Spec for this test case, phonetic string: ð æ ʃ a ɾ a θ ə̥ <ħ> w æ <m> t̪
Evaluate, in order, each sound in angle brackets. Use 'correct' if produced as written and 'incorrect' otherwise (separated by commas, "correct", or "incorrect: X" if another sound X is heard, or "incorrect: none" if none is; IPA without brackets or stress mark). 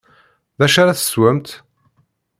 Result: incorrect: s, correct